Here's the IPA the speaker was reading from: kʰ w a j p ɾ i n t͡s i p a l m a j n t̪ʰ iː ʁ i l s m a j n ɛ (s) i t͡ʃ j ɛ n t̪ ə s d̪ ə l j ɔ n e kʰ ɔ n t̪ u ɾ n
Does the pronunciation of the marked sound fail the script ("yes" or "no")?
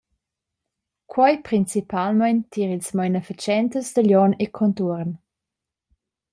yes